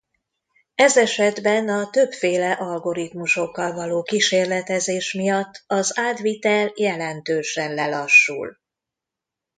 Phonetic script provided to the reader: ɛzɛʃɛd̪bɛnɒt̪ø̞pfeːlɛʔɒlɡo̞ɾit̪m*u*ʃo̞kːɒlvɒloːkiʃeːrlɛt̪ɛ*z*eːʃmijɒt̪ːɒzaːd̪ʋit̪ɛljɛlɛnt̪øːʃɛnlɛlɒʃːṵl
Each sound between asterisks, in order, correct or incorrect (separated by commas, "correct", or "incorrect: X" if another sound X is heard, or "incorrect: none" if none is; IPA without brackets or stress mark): correct, correct